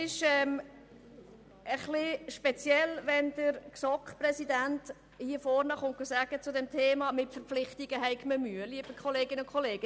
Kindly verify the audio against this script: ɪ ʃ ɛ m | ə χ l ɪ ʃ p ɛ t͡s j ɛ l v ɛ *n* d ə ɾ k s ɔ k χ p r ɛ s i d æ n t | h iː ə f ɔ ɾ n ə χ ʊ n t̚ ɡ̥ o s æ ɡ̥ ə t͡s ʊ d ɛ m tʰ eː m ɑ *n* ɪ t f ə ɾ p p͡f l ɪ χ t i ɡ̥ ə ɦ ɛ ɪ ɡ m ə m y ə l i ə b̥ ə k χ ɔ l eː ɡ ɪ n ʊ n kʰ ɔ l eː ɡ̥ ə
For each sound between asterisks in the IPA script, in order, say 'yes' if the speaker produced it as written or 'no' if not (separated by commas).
yes, no